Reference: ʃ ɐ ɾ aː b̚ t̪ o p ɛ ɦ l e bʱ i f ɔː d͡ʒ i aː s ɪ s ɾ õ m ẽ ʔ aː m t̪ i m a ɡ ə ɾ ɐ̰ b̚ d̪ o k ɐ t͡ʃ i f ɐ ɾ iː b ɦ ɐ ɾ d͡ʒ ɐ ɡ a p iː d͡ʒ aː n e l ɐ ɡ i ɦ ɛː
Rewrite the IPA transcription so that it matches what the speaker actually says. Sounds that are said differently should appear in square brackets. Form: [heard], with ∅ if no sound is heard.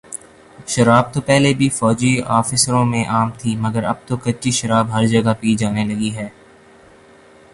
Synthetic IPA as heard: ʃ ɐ ɾ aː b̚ t̪ o p ɛ ɦ l e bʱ i f ɔː d͡ʒ i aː [f] ɪ s ɾ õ m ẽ ʔ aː m [t̪ʰ] i m [ɐ] ɡ ə ɾ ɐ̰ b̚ [t̪] o k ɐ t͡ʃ i [ʃ] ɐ ɾ [aː] b ɦ ɐ ɾ d͡ʒ ɐ ɡ a p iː d͡ʒ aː n e l ɐ ɡ i ɦ ɛː